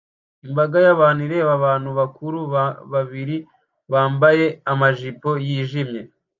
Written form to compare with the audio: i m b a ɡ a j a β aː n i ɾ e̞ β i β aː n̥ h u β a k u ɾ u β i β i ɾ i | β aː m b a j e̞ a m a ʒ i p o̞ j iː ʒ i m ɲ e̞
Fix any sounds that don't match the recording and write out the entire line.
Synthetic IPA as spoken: i m b a ɡ a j a β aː n i ɾ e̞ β a β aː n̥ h u β a k u ɾ u β a β i ɾ i | β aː m b a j e̞ a m a ʒ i p o̞ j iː ʒ i m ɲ e̞